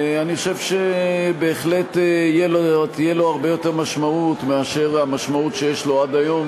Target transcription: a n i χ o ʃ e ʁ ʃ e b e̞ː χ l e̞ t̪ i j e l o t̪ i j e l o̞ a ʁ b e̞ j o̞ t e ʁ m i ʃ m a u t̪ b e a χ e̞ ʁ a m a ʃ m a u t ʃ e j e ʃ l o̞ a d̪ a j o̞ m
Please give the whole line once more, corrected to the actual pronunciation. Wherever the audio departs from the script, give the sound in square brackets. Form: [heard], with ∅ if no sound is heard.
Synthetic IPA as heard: a n i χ o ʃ e [v] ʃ e b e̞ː χ l e̞ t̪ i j e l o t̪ i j e l o̞ a ʁ b e̞ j o̞ t e ʁ m [a] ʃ m a u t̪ [m] e a [ʃ] e̞ ʁ a m a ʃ m a u t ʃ e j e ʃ l o̞ a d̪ a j o̞ m